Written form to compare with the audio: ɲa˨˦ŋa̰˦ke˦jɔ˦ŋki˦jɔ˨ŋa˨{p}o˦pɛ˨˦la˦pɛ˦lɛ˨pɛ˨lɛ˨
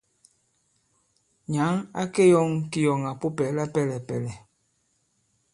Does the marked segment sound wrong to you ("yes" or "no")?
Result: no